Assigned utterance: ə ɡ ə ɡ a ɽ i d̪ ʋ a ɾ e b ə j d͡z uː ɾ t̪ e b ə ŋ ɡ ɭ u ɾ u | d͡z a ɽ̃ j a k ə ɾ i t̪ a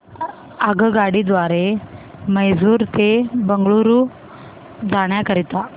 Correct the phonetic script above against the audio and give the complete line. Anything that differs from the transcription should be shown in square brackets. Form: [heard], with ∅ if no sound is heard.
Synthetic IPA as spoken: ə ɡ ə ɡ a ɽ i d̪ ʋ a ɾ e [m] ə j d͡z uː ɾ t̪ e b ə ŋ ɡ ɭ u ɾ u | d͡z a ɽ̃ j a k ə ɾ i t̪ a

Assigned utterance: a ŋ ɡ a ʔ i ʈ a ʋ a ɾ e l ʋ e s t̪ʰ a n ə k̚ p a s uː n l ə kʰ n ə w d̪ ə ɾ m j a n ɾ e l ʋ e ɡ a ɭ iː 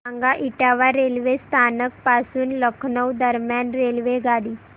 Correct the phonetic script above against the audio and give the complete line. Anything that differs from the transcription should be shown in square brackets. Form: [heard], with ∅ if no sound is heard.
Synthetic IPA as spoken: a ŋ ɡ a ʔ i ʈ a ʋ a ɾ e l ʋ e s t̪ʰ a n ə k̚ p a s uː n l ə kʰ n ə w d̪ ə ɾ m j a n ɾ e l ʋ e ɡ a [ɽ] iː

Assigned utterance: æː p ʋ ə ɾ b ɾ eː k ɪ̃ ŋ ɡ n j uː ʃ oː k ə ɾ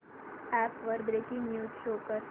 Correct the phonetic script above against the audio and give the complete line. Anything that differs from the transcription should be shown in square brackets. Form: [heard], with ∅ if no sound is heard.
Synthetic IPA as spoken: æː p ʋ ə ɾ b ɾ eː k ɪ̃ ŋ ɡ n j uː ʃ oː k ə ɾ

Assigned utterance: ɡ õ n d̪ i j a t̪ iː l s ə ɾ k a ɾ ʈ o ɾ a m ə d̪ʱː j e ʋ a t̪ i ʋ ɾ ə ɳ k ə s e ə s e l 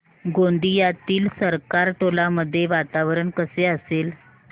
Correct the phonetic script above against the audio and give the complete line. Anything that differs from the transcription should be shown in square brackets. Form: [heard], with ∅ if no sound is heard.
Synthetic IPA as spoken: ɡ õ n d̪ i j a t̪ iː l s ə ɾ k a ɾ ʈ o [l] a m ə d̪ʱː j e ʋ a t̪ [a] ʋ ɾ ə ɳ k ə s e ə s e l

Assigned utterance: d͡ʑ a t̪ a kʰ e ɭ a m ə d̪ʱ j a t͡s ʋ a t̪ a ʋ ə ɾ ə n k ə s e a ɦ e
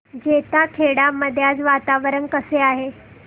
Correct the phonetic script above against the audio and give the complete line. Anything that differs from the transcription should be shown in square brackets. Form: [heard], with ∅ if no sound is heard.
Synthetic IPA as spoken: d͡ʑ [e] t̪ a kʰ e [ɽ] a m ə d̪ʱ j a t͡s ʋ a t̪ a ʋ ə ɾ ə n k ə s e a ɦ e

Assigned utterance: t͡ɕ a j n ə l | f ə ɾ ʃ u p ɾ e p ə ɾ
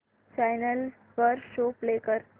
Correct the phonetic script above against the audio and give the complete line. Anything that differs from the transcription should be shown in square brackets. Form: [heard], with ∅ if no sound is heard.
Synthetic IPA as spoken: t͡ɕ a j n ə l | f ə ɾ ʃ [o] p [l] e [k] ə ɾ

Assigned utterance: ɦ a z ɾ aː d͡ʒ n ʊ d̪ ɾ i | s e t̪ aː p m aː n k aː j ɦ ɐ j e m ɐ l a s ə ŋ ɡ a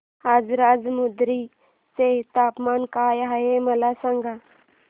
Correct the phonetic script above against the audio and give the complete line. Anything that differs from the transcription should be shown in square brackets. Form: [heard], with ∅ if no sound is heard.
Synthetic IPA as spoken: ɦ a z ɾ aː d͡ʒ [m] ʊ d̪ ɾ i | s e t̪ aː p m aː n k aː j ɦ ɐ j e m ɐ l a s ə ŋ ɡ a

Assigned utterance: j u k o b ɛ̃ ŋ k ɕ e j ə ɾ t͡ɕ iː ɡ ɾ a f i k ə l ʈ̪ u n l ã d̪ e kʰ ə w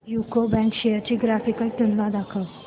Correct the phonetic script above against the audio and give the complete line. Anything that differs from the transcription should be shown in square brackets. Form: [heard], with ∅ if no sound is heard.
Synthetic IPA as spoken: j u k o b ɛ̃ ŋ k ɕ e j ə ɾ t͡ɕ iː ɡ ɾ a f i k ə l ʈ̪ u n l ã d̪ [a] kʰ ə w

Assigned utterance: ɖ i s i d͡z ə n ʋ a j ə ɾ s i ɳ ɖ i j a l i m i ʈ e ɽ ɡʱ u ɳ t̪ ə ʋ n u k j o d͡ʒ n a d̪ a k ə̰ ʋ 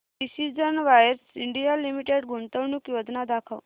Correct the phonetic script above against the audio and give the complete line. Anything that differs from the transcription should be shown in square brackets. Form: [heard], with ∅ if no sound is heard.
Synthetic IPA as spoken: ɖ i s i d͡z ə n ʋ a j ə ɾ s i ɳ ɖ i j a l i m i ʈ e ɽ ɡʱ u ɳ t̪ ə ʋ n u k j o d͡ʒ n a d̪ a [kʰ] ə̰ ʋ

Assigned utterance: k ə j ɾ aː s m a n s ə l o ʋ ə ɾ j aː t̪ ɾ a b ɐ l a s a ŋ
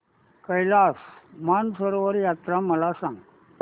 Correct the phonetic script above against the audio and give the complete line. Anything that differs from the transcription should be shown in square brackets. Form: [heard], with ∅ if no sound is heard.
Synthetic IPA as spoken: k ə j [l] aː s m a n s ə [ɾ] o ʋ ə ɾ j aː t̪ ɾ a [m] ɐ l a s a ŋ

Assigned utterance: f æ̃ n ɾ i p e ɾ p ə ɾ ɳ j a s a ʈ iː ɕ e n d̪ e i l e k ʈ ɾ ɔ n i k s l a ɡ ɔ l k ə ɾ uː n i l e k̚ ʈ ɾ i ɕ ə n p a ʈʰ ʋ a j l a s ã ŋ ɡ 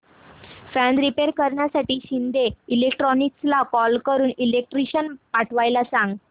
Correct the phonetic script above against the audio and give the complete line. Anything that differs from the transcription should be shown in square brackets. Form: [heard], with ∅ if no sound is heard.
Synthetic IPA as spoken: f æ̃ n ɾ i p e ɾ [k] ə ɾ ɳ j a s a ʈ iː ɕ [i] n d̪ e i l e k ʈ ɾ ɔ n i k s l a [k] ɔ l k ə ɾ uː n i l e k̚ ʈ ɾ i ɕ ə n p a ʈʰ ʋ a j l a s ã ŋ ɡ

